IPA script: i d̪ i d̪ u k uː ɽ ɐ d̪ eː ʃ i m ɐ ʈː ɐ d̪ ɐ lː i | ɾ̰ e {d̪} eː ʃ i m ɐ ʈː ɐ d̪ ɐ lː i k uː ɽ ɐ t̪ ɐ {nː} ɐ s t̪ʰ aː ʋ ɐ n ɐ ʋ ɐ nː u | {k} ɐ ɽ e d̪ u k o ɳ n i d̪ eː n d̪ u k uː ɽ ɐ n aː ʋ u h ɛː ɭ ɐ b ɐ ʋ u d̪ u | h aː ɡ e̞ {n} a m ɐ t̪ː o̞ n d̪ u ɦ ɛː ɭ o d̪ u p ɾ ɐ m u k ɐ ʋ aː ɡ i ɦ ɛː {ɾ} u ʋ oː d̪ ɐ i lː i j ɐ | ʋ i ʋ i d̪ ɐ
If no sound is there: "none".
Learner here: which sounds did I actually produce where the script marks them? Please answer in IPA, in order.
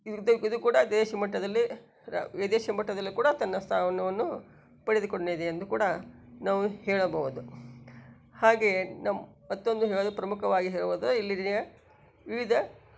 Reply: d̪, nː, p, n, ɭ

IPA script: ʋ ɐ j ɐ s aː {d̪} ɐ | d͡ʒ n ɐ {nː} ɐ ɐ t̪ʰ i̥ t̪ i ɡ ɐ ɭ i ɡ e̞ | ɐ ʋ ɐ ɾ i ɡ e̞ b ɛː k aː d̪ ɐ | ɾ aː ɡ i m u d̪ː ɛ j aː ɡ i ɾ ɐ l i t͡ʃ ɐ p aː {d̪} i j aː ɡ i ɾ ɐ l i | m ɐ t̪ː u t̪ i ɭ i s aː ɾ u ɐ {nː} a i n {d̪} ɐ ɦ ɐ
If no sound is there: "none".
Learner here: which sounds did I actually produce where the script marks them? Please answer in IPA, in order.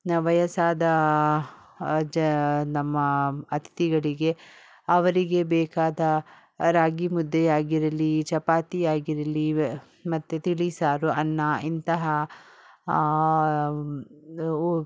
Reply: d̪, mː, t̪, nː, t̪

